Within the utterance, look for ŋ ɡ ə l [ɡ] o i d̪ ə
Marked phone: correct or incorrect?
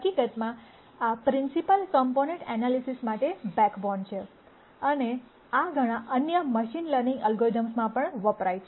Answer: correct